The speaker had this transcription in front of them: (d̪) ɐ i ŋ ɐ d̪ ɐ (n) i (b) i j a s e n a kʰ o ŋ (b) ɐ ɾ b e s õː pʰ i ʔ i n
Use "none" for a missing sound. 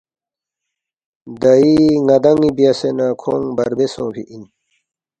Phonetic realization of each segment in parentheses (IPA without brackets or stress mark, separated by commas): d̪, ŋ, b, b